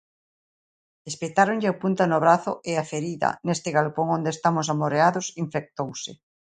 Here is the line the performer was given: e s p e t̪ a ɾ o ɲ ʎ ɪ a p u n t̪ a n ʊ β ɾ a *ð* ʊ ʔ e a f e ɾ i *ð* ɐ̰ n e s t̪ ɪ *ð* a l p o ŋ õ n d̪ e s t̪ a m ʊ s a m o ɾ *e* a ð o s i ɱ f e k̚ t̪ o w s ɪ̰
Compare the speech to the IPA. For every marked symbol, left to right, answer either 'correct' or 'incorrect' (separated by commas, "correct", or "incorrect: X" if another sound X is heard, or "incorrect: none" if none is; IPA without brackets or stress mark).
incorrect: θ, correct, incorrect: ɣ, correct